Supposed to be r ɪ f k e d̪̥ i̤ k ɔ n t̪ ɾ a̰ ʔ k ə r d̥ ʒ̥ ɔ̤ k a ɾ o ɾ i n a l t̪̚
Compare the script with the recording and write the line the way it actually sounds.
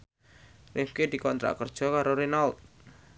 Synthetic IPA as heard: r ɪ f k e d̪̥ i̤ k ɔ n t̪ ɾ a̰ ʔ k ə r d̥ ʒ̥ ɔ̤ k a ɾ o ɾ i n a l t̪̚